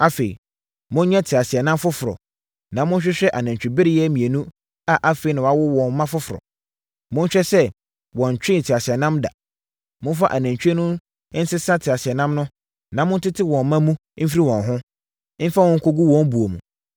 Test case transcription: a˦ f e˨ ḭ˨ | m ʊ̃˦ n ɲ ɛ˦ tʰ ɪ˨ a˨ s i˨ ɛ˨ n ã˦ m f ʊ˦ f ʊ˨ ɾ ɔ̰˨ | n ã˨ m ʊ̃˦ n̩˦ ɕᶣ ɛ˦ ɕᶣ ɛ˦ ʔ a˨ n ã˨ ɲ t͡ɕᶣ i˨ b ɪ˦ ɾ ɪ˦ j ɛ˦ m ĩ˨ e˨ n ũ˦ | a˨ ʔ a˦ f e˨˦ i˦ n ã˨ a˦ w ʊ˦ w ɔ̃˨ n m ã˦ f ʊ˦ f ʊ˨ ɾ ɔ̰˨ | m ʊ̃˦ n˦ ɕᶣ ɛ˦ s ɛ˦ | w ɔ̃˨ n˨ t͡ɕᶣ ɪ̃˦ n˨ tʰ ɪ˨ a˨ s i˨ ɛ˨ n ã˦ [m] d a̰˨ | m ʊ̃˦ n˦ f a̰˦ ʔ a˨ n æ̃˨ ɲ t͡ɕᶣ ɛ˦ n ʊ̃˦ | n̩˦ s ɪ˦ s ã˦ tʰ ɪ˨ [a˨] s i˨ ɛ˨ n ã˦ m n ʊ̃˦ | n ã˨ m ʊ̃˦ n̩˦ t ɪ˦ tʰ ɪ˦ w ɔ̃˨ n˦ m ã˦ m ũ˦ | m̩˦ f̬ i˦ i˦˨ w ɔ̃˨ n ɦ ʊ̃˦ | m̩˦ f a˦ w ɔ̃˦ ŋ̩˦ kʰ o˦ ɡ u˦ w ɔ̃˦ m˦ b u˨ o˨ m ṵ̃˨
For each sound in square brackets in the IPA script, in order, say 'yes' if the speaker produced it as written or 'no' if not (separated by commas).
yes, yes